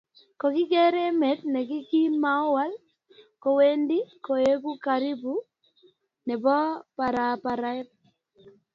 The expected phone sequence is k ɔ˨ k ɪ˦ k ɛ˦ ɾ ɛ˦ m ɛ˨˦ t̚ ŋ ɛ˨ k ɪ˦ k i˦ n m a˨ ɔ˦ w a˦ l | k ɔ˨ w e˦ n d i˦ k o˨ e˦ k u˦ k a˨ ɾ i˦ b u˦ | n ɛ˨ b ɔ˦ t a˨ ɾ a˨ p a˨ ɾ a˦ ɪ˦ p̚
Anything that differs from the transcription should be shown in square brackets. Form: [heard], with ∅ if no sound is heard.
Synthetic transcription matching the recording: k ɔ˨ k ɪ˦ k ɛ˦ ɾ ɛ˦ m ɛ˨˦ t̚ [n] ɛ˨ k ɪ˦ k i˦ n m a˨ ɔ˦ w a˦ l | k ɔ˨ w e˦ n d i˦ k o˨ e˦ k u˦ k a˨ ɾ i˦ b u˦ | n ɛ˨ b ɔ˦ [p] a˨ ɾ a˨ p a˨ ɾ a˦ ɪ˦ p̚